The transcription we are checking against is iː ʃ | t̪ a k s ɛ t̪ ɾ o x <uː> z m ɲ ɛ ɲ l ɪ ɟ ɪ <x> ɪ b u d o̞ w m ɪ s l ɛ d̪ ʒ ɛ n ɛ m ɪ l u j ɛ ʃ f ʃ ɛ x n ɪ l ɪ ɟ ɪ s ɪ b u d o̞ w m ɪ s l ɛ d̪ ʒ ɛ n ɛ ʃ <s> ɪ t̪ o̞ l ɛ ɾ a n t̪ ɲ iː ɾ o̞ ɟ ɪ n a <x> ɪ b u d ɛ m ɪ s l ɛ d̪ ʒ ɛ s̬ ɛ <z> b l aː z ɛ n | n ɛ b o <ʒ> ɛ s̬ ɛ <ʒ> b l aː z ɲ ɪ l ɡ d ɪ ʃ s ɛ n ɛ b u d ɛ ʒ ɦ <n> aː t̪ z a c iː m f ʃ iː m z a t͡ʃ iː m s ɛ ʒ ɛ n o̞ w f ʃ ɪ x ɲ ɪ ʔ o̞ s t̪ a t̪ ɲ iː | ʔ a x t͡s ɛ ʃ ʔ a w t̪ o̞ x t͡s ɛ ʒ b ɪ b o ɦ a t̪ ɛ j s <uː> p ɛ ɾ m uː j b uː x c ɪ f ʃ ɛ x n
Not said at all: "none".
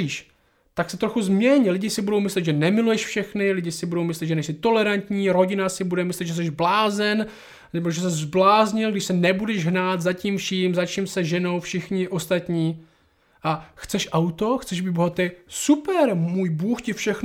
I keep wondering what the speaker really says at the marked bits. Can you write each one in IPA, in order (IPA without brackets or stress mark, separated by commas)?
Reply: u, s, s, s, ʒ, ʒ, z, n, u